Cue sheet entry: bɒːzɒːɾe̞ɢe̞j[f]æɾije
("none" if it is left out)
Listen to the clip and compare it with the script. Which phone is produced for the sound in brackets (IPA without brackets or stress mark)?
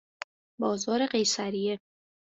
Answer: s